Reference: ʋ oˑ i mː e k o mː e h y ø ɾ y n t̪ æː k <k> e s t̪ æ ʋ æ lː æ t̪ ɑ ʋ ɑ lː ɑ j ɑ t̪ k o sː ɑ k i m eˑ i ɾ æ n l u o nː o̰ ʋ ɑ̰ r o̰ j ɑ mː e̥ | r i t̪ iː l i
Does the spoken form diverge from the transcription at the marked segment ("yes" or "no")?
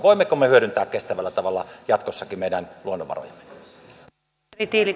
no